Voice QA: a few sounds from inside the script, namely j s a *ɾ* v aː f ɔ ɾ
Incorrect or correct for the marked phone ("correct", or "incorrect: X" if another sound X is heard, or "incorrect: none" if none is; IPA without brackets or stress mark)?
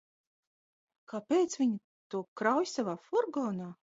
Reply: incorrect: none